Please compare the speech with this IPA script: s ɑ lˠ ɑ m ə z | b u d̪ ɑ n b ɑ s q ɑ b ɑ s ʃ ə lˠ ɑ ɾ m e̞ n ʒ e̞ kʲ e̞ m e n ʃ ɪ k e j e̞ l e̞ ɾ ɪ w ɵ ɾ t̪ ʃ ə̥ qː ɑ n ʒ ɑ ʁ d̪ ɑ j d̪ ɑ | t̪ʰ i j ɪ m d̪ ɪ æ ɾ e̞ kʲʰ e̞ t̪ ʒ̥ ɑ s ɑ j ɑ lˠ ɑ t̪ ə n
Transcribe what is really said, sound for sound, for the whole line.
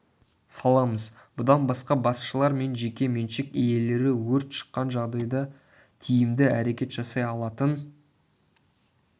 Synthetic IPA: s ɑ lˠ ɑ m ə z | b ʊ d̪ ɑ n b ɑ s q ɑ b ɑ s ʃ ə lˠ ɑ ɾ m e̞ n ʒ e̞ kʲ e̞ m e n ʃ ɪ k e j e̞ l e̞ ɾ ɪ w ɵ ɾ t̪ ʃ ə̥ qː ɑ n ʒ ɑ ʁ d̪ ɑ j d̪ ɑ | t̪ʰ i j ɪ m d̪ ɪ æ ɾ e̞ kʲ e̞ t̪ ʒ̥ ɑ s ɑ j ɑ lˠ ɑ t̪ ə n